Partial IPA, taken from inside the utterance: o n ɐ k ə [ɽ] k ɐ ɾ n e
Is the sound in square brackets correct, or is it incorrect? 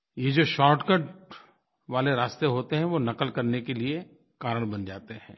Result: incorrect